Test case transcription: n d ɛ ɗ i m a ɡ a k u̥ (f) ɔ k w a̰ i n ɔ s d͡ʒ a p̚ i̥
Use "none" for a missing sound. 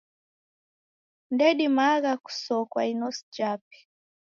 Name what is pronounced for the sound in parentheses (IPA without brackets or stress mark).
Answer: s